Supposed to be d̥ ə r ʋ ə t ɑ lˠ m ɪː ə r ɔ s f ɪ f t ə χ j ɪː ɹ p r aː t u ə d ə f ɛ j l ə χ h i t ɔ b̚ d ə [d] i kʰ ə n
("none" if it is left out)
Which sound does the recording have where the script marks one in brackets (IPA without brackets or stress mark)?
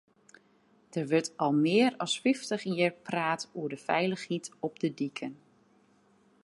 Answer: d